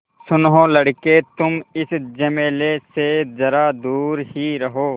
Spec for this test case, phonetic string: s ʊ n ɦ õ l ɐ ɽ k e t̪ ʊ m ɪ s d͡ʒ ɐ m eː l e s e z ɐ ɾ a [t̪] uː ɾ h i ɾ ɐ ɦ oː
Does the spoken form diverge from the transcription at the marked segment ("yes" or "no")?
yes